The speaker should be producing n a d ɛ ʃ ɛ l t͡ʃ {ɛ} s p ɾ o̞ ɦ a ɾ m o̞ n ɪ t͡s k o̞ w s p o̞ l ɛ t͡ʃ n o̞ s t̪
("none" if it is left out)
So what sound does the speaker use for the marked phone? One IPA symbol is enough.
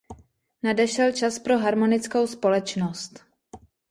a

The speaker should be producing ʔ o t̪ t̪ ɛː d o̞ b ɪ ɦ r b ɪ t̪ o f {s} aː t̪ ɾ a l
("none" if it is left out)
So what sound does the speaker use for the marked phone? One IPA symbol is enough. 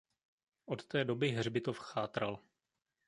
x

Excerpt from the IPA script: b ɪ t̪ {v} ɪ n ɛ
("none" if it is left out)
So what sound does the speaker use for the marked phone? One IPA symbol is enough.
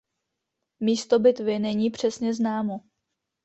v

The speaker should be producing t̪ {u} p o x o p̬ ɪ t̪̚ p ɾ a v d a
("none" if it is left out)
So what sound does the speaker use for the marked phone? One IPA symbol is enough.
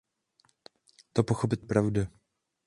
o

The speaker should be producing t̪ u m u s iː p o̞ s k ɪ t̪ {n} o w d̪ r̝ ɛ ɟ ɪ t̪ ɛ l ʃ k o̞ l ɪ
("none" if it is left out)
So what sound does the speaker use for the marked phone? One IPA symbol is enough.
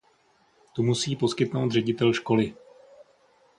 n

